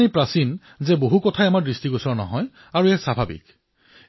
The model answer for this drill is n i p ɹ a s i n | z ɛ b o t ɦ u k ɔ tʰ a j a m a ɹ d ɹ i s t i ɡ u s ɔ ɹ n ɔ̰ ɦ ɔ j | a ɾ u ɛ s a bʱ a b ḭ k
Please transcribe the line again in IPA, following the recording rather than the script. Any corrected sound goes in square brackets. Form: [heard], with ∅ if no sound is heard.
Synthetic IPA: n i p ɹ a s i n | z ɛ b o [∅] ɦ u k ɔ tʰ a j a m a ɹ d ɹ i s t i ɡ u s ɔ ɹ n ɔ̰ ɦ ɔ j | a [ɹ] u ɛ s a bʱ a b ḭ k